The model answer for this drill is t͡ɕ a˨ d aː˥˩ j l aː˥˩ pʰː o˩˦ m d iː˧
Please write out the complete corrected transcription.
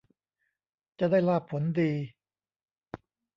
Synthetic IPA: t͡ɕ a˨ d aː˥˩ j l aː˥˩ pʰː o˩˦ n d iː˧